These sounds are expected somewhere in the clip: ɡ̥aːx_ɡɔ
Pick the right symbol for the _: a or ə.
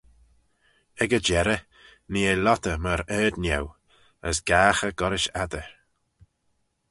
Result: ə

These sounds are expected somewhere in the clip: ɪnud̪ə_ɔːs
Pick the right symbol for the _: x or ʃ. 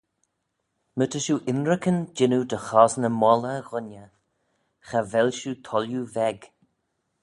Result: x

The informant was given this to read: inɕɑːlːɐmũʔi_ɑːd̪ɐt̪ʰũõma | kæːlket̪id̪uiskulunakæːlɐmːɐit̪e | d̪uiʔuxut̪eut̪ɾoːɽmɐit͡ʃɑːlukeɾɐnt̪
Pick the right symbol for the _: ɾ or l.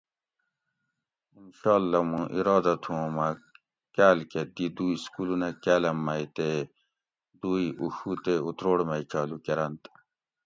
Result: ɾ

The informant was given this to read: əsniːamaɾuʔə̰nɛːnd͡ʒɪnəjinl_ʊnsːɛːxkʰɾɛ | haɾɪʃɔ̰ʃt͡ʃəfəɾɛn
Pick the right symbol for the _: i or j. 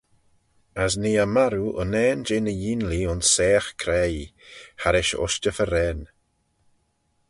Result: i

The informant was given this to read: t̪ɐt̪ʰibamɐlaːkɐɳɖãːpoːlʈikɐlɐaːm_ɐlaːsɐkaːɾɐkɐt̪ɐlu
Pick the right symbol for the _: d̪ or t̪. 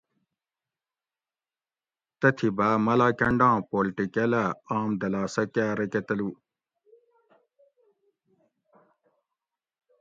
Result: d̪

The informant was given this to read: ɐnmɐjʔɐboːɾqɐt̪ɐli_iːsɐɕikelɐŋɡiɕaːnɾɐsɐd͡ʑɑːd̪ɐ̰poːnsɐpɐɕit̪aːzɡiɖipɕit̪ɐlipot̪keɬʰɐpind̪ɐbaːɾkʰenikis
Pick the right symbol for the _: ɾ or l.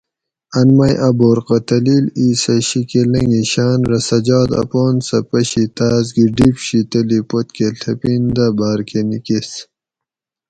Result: l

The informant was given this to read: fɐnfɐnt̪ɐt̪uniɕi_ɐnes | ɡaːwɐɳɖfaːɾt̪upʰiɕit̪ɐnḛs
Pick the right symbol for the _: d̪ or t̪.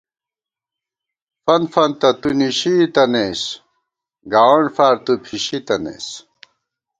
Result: t̪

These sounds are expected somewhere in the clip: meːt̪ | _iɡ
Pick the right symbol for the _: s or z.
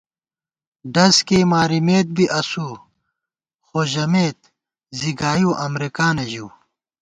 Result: z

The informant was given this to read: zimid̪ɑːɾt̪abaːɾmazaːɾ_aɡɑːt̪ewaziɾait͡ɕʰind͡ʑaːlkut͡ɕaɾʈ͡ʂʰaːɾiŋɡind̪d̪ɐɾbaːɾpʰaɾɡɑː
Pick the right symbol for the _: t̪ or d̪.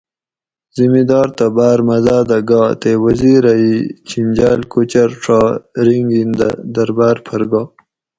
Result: d̪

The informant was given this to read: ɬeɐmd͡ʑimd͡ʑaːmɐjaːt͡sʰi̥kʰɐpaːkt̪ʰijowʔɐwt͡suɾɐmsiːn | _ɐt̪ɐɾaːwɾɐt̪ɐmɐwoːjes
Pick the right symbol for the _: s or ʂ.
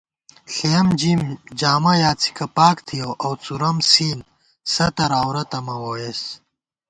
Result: s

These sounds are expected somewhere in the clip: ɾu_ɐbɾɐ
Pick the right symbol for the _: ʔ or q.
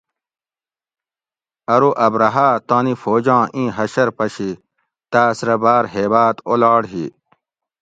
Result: ʔ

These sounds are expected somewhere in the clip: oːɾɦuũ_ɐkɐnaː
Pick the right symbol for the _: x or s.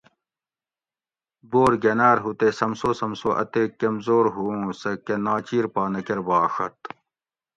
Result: s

